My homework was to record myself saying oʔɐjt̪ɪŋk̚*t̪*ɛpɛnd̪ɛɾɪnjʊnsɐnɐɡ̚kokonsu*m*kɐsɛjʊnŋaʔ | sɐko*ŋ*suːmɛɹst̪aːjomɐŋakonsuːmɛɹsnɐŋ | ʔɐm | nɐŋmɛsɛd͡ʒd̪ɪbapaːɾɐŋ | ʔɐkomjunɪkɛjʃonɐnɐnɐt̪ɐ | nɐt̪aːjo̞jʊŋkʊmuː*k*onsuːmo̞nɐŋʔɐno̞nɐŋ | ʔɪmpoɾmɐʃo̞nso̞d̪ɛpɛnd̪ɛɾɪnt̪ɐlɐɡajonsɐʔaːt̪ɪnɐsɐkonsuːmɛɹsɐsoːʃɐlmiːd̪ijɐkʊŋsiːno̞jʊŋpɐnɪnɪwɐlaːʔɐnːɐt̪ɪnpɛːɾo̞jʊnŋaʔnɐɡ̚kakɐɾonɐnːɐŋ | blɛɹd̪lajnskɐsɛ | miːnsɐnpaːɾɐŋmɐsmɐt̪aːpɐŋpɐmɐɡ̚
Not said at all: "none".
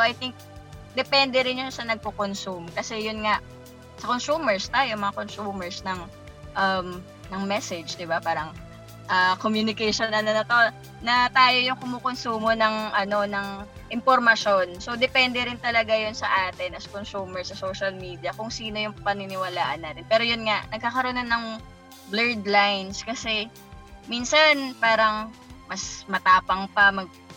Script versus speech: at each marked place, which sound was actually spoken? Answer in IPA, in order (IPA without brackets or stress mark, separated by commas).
d̪, m, n, k